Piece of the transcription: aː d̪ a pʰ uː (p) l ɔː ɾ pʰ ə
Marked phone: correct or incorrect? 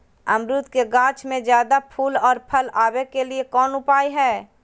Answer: incorrect